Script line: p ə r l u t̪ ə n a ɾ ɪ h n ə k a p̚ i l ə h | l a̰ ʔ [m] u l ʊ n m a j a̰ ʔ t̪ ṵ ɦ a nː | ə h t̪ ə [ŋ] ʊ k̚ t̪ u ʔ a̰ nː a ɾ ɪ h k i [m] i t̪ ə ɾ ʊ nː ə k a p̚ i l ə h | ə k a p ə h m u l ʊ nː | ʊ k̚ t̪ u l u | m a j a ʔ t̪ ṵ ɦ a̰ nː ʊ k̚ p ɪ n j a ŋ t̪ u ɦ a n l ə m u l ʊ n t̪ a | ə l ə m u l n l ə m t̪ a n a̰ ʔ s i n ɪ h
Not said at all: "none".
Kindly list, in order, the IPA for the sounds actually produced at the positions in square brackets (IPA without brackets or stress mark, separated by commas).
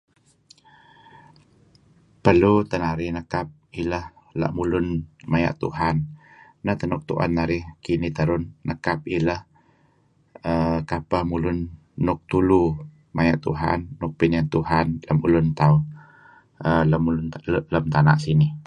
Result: m, n, n